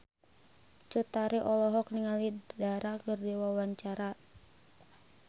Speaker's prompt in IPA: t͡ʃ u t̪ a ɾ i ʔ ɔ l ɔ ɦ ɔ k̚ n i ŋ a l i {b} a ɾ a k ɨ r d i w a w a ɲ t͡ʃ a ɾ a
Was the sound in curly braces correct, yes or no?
no